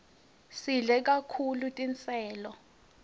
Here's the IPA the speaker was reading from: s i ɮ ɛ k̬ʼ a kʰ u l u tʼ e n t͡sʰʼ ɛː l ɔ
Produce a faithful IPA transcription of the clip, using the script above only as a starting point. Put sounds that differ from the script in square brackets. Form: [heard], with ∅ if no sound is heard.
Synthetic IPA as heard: s i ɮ ɛ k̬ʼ a kʰ u l u tʼ [i] n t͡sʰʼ ɛː l ɔ